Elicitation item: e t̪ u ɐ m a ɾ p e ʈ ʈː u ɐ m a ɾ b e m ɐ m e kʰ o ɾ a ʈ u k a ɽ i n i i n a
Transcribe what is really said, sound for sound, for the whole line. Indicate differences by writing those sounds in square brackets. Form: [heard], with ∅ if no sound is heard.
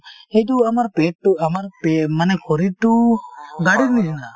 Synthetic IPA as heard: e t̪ u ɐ m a ɾ p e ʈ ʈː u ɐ m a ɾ [p] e m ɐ [n] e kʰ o ɾ [i] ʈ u [ɡ] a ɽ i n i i n a